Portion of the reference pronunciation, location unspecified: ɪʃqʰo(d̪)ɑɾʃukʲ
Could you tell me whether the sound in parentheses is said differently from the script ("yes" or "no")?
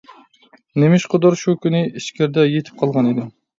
no